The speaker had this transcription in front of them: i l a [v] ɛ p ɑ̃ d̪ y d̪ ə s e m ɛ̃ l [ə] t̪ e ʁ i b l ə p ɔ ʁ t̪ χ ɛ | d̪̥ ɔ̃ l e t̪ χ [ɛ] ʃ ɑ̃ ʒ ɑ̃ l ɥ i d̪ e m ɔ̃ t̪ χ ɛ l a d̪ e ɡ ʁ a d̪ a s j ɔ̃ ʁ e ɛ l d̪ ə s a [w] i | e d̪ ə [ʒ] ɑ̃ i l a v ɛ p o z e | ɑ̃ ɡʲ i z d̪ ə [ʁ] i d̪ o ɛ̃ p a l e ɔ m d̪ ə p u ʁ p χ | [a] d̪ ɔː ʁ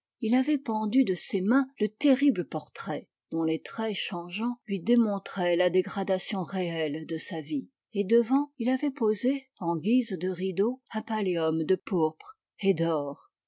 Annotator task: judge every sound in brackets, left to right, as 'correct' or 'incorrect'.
correct, correct, correct, incorrect, incorrect, correct, incorrect

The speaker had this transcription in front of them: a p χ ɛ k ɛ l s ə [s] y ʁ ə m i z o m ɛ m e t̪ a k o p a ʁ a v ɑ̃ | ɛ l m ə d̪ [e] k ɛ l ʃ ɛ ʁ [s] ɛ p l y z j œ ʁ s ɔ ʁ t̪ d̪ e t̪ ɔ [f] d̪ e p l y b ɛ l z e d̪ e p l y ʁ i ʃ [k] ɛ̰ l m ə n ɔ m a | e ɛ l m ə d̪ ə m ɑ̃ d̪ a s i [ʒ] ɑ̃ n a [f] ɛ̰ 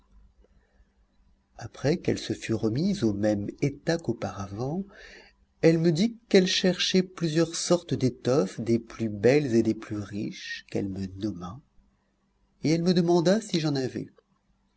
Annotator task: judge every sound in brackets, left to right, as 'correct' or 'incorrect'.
incorrect, incorrect, incorrect, correct, correct, correct, incorrect

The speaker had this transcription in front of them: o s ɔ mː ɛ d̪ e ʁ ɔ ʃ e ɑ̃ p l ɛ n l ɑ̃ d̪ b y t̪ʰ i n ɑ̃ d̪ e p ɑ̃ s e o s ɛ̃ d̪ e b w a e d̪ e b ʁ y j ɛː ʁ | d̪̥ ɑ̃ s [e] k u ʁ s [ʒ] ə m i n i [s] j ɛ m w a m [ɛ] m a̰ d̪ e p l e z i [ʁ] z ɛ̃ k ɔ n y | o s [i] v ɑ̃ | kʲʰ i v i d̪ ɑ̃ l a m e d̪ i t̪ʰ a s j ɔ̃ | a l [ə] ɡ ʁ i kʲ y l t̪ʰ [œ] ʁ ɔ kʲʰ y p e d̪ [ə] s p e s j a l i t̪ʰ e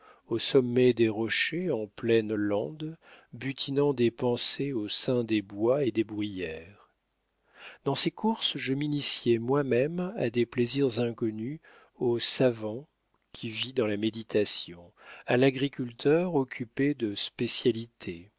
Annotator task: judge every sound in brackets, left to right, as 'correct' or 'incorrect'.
correct, correct, correct, correct, correct, incorrect, incorrect, correct, correct

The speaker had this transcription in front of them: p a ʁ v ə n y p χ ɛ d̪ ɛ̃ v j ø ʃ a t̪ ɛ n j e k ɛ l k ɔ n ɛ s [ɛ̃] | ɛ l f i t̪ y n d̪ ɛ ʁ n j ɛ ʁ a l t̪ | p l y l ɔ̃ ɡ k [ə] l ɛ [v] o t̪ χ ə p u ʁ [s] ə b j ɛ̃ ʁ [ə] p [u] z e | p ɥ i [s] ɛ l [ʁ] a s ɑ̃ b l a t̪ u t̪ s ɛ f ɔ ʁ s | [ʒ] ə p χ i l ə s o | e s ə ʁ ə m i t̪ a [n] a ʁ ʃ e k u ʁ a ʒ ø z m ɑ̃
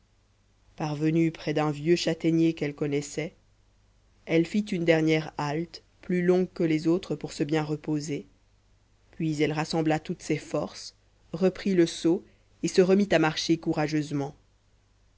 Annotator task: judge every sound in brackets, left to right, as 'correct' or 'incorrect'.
incorrect, correct, incorrect, correct, correct, incorrect, incorrect, correct, incorrect, incorrect

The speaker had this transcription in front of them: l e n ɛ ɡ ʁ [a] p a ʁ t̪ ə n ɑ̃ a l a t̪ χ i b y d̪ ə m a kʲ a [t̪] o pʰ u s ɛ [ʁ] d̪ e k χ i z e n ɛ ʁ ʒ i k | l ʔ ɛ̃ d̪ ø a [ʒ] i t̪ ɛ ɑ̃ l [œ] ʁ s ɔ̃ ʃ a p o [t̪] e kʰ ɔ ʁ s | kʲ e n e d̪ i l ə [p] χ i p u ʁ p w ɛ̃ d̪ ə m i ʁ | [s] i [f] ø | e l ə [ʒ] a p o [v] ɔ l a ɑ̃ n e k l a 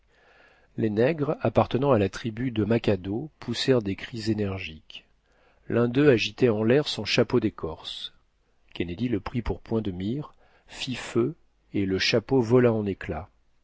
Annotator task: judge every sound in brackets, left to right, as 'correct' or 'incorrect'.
correct, incorrect, correct, correct, incorrect, incorrect, correct, incorrect, correct, incorrect, correct

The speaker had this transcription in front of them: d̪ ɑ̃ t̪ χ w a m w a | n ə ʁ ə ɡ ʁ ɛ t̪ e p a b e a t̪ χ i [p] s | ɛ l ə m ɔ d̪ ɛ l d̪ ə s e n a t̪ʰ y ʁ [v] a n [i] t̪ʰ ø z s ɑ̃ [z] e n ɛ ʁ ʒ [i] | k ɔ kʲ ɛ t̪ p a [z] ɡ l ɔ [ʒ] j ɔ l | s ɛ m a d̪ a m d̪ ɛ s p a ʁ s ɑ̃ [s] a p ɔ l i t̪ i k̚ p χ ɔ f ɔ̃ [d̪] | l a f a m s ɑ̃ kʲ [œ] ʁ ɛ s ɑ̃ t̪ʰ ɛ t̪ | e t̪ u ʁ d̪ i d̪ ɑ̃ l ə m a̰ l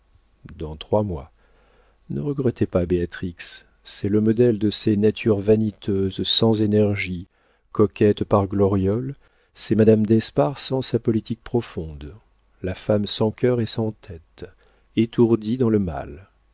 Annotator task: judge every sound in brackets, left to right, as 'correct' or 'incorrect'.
incorrect, correct, correct, correct, correct, incorrect, incorrect, correct, correct, correct

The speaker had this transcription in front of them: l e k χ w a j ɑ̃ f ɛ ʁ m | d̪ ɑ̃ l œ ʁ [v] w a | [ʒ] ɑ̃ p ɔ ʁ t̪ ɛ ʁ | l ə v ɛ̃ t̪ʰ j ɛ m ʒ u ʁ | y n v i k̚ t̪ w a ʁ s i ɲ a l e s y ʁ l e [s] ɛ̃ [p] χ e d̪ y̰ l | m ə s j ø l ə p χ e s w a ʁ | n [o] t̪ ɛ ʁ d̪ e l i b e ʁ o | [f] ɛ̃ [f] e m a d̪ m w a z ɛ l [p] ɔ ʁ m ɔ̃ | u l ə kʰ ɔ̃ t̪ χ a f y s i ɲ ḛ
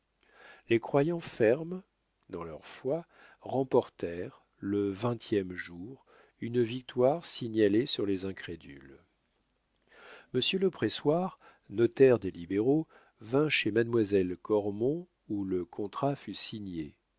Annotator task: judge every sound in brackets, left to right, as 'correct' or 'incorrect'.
incorrect, incorrect, incorrect, incorrect, incorrect, incorrect, incorrect, incorrect

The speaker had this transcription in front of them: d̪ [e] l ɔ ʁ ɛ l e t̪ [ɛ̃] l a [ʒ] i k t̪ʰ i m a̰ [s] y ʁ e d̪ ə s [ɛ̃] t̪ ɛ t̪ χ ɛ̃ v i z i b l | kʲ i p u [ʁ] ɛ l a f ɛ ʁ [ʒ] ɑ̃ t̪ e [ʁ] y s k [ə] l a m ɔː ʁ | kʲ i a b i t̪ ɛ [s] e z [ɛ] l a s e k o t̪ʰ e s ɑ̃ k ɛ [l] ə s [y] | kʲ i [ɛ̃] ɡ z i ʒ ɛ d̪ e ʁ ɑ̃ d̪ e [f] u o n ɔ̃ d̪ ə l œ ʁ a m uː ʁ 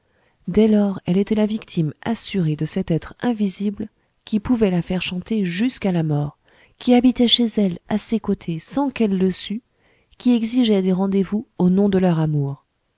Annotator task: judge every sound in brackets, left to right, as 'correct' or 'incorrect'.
incorrect, incorrect, incorrect, correct, incorrect, incorrect, incorrect, incorrect, incorrect, incorrect, correct, incorrect, correct, incorrect, incorrect

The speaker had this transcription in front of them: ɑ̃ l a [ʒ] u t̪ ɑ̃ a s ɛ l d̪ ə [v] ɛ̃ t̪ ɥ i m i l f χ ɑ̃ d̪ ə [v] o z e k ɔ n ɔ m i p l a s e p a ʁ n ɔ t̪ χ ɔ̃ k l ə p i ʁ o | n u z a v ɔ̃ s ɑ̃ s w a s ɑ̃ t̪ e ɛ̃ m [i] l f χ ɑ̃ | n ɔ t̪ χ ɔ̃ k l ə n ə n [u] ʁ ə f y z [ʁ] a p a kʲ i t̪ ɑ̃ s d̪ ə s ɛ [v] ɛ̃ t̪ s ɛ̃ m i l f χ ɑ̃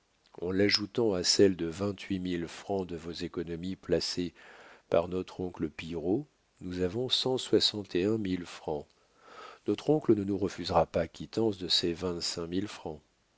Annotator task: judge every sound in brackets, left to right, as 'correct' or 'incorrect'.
correct, correct, correct, correct, correct, correct, correct

